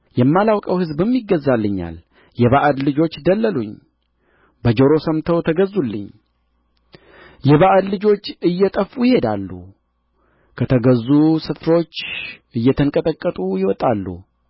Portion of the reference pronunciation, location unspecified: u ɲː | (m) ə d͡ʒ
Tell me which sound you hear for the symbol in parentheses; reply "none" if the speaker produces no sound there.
b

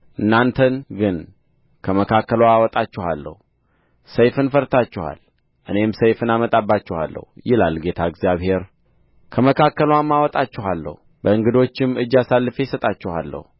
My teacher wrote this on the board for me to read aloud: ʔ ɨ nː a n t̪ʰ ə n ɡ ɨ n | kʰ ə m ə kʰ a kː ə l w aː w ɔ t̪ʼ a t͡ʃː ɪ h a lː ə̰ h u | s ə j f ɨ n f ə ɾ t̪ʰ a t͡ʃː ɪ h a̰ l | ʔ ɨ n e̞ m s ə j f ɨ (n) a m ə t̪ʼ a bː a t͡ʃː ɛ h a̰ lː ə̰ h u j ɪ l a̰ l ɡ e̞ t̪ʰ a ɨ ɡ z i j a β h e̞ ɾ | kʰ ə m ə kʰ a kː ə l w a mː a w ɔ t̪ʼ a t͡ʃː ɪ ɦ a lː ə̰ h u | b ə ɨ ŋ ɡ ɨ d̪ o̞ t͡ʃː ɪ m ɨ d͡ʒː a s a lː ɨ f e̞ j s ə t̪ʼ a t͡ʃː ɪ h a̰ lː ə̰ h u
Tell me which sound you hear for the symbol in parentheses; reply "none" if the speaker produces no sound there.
n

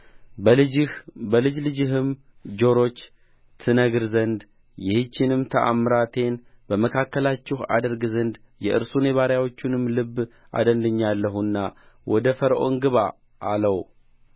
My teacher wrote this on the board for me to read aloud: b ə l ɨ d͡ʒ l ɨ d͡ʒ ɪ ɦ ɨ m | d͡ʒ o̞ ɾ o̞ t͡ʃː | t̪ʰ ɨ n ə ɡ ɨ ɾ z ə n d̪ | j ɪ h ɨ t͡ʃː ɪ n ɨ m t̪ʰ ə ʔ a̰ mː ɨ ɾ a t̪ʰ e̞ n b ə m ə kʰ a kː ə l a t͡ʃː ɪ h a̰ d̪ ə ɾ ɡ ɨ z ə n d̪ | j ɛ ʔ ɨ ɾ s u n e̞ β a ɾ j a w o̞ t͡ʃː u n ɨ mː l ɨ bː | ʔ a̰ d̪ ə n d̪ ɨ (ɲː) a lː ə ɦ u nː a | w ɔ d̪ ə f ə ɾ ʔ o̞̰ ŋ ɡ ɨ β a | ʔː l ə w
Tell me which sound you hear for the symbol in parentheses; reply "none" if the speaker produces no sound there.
ɲː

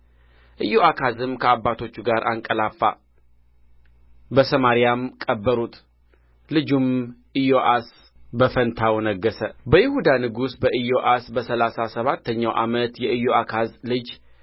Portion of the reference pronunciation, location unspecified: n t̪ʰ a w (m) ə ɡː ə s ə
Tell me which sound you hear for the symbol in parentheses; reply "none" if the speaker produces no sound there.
n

